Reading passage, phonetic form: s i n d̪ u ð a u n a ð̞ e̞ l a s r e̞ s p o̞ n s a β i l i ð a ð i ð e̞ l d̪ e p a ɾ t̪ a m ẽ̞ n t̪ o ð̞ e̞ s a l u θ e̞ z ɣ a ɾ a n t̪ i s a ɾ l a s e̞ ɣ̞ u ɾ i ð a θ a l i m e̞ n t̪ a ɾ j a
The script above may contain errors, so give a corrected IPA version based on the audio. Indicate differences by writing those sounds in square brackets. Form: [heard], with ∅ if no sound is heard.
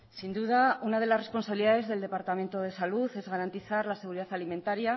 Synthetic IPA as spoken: s i n d̪ u ð a u n a ð̞ e̞ l a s r e̞ s p o̞ n s a β i l i ð a ð [e] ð e̞ l d̪ e p a ɾ t̪ a m [e̞] n t̪ o ð̞ e̞ s a l u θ e̞ z ɣ a ɾ a n t̪ i [θ] a ɾ l a s e̞ ɣ̞ u ɾ i ð a θ a l i m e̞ n t̪ a ɾ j a